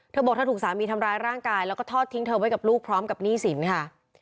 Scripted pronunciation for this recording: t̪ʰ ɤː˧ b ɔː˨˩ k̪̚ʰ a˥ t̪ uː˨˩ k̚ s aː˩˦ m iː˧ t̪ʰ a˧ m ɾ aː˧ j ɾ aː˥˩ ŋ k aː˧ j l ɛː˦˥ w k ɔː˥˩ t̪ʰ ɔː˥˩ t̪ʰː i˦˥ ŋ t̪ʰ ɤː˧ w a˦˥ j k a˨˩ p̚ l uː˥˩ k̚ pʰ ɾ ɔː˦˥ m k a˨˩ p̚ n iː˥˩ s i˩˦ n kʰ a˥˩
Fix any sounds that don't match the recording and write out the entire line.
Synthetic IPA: t̪ʰ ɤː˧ b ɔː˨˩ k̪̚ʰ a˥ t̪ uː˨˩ k̚ s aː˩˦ m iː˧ t̪ʰ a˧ m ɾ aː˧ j ɾ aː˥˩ ŋ k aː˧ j l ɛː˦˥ w k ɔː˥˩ t̪ʰ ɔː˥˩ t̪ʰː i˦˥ ŋ t̪ʰ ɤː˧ w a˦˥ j k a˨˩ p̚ l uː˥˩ k̚ pʰ ɾ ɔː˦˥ m k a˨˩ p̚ n iː˥˩ s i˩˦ n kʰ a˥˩